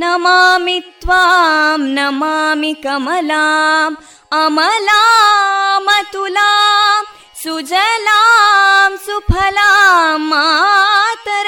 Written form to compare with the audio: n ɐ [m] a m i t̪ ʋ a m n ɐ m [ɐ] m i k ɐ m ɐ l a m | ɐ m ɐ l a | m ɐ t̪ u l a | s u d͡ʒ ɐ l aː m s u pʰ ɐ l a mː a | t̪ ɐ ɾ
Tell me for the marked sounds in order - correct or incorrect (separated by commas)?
correct, incorrect